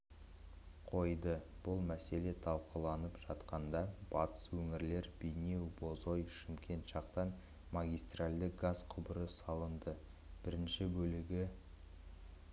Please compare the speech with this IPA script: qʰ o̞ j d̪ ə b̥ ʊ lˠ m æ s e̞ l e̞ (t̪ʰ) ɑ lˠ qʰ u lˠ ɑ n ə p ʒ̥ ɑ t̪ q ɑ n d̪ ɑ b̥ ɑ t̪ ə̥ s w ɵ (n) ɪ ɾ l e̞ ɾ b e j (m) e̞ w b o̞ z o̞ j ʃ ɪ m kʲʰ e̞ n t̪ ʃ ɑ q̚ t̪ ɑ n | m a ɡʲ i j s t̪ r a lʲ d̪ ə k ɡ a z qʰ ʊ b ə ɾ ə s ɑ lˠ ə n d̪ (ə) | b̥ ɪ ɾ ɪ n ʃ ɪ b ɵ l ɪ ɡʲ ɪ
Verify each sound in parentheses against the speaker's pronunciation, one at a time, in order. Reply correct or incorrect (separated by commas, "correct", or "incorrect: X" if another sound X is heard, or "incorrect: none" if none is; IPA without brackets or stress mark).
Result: correct, incorrect: ŋ, incorrect: n, correct